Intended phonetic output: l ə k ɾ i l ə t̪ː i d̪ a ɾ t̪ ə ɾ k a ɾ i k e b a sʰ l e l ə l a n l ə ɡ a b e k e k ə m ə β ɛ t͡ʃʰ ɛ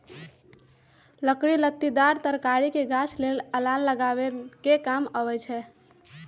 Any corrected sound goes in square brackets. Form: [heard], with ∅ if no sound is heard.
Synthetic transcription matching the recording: l ə k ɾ i l ə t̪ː i d̪ a ɾ t̪ ə ɾ k a ɾ i k e [ɡ] a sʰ l e l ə l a n l ə ɡ a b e k e k [a] m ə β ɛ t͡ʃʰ ɛ